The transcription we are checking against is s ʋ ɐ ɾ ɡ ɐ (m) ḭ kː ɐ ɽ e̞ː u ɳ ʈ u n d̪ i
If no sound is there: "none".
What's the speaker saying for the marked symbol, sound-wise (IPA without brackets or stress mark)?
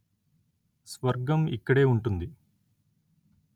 m